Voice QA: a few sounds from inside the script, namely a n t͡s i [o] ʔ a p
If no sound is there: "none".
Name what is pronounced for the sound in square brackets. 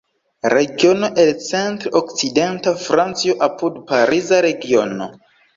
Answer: o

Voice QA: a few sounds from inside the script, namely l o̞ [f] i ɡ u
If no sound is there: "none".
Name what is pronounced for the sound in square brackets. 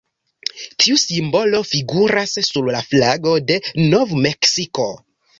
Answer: f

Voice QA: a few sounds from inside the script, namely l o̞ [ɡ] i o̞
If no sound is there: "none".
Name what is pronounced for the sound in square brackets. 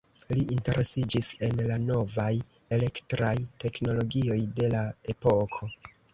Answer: ɡ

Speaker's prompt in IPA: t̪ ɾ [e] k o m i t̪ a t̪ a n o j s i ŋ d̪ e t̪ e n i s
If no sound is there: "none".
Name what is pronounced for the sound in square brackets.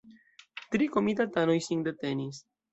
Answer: i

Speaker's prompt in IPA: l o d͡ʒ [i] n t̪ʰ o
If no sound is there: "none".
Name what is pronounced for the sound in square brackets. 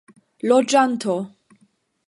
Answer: a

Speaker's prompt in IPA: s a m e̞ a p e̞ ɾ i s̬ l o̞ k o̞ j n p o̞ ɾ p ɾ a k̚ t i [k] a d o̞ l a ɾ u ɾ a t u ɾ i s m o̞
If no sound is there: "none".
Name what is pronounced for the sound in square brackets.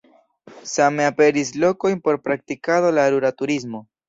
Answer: k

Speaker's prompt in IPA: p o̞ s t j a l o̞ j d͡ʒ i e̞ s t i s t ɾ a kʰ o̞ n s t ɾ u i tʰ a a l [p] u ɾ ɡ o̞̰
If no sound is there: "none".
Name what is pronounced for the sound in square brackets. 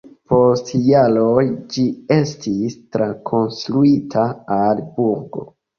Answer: b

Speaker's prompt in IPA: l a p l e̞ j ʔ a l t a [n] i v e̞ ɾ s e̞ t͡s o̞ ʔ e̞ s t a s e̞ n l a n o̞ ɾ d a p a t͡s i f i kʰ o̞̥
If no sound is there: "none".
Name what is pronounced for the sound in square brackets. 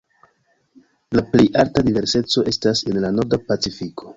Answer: d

